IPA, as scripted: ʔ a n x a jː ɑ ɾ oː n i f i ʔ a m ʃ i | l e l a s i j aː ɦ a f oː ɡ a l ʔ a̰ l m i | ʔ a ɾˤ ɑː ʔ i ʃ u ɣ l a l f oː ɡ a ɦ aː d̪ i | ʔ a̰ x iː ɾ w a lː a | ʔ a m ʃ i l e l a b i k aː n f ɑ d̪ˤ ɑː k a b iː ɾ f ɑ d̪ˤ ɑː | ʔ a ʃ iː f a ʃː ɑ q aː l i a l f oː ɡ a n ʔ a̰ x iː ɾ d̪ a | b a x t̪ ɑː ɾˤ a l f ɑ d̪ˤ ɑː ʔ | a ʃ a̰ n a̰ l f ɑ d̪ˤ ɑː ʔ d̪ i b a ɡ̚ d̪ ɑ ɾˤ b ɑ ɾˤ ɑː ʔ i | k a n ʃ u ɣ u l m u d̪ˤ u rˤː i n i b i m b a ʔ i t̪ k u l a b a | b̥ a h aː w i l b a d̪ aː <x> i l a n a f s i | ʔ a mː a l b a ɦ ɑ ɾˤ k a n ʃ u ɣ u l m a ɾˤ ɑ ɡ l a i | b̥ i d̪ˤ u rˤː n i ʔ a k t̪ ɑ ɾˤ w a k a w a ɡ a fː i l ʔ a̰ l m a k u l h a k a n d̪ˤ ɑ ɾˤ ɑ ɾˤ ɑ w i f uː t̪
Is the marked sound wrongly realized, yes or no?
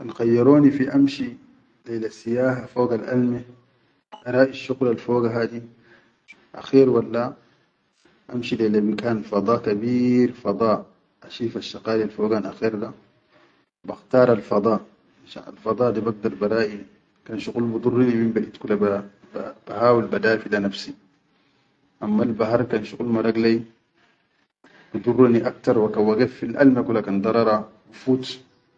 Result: yes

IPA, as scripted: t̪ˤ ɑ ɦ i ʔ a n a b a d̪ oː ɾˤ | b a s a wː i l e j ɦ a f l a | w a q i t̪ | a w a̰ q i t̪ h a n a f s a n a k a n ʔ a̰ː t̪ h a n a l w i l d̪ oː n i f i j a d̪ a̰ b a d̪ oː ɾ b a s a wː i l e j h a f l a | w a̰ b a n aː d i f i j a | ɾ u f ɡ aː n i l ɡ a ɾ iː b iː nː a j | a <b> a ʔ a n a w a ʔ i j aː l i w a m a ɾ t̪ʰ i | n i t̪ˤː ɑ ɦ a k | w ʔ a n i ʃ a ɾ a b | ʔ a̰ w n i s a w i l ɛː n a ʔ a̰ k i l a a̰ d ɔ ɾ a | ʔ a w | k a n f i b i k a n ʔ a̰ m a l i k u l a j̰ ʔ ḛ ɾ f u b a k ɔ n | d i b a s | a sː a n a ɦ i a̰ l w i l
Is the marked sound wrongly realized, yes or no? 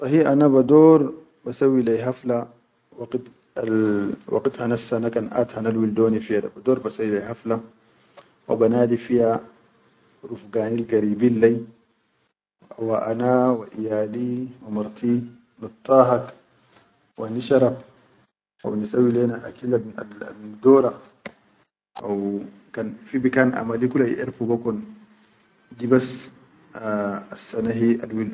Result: yes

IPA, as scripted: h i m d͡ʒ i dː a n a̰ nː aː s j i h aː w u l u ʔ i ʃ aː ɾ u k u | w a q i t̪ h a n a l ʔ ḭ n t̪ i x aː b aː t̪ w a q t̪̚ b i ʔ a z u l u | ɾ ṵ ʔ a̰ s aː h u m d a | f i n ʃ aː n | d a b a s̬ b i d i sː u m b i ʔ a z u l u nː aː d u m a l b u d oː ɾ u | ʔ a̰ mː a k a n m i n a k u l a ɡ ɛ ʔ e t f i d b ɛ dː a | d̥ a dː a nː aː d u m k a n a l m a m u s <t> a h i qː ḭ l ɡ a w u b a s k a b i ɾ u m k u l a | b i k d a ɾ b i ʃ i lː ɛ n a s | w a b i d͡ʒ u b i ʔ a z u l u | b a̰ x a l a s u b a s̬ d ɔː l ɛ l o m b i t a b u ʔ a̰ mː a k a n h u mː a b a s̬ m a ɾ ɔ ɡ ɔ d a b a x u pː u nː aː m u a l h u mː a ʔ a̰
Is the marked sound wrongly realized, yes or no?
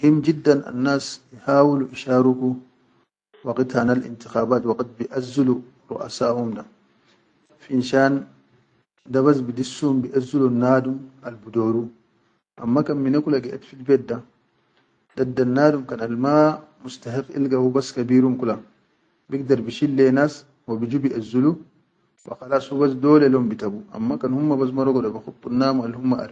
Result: no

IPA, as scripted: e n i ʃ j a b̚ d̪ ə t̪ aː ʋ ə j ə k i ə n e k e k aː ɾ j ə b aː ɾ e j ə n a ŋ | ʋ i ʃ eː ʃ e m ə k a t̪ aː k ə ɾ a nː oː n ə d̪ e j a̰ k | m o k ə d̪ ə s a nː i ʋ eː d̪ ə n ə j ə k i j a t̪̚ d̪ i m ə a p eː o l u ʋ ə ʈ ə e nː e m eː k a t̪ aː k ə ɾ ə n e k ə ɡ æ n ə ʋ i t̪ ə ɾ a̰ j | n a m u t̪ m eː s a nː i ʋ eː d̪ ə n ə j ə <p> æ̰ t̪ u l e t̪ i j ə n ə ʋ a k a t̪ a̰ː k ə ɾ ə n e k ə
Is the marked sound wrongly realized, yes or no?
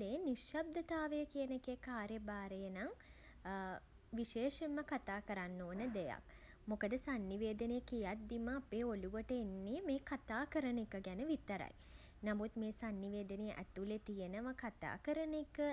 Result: yes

